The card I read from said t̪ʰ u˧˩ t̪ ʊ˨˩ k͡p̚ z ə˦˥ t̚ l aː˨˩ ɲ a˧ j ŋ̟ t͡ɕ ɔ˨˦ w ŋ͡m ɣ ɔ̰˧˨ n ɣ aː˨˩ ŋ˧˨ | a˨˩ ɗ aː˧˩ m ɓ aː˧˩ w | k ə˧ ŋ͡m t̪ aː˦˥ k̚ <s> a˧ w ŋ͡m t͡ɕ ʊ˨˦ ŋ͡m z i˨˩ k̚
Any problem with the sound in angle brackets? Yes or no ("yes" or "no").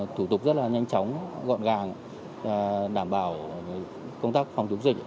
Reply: yes